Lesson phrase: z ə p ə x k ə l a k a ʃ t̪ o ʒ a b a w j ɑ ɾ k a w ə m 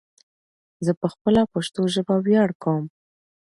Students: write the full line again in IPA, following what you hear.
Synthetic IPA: z ə p ə x p ə l a p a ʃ t̪ o ʒ ə b a w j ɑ ɽ k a w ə m